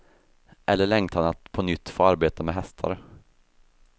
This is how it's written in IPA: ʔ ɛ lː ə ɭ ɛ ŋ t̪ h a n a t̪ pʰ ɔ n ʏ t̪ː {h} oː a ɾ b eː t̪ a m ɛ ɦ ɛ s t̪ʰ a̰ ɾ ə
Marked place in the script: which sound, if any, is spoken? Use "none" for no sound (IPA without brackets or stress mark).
f